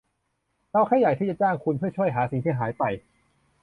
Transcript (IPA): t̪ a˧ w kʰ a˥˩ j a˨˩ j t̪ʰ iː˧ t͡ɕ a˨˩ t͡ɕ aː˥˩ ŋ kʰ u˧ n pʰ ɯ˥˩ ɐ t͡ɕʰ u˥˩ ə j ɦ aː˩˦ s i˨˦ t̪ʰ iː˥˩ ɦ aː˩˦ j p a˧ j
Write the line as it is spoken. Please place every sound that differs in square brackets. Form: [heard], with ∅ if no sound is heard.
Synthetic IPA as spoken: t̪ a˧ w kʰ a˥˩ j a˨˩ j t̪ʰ [iː˥˩] t͡ɕ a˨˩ t͡ɕ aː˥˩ ŋ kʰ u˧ n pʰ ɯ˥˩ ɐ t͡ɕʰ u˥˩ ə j ɦ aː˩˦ s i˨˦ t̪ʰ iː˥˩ ɦ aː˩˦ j p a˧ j